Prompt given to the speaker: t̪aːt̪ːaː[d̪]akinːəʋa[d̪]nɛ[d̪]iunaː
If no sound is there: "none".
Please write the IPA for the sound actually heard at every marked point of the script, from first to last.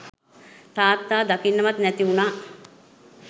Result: d̪, t̪, t̪

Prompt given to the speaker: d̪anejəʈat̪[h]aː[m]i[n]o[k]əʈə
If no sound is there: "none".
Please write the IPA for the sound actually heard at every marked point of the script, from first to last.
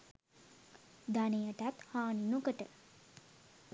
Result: h, n, n, k

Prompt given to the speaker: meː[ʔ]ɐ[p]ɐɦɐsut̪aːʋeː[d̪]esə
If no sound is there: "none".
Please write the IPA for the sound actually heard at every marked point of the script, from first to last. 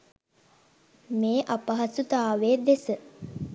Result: ʔ, p, d̪

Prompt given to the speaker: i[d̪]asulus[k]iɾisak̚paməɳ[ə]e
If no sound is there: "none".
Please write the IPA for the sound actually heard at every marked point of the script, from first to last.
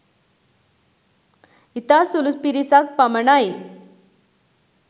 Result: t̪, p, a

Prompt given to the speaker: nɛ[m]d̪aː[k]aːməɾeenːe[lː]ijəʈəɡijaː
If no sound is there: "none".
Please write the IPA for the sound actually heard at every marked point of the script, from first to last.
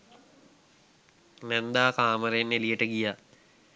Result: n, k, l

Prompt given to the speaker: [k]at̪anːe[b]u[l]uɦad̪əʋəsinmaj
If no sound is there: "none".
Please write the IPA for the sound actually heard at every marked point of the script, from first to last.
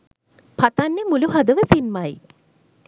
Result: p, m, l

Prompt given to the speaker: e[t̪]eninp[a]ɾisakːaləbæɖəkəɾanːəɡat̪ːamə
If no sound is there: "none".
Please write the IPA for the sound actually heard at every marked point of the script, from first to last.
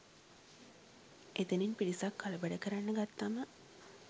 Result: t̪, i

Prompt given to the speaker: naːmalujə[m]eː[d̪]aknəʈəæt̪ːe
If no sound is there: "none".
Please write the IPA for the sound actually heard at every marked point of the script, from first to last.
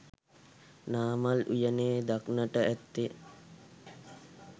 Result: n, d̪

